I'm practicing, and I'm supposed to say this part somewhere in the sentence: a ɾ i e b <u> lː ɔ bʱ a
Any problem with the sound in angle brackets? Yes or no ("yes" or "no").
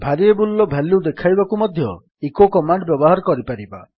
no